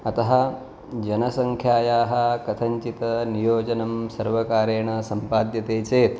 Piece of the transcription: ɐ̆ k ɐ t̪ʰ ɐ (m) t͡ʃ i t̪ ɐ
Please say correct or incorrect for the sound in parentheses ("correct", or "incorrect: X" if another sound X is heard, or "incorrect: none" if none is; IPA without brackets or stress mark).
incorrect: ɲ